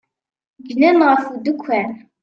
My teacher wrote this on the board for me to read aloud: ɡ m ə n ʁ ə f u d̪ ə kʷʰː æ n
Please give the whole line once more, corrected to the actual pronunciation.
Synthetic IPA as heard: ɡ n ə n ʁ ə f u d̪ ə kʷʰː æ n